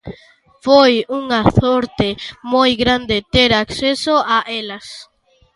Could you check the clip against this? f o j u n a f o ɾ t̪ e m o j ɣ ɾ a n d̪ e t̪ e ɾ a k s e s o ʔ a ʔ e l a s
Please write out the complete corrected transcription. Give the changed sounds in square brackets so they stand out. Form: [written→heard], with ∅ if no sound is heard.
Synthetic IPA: f o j u [n→ŋ] a [f→θ] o ɾ t̪ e m o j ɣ ɾ a n d̪ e t̪ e ɾ a k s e s o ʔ a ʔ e l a s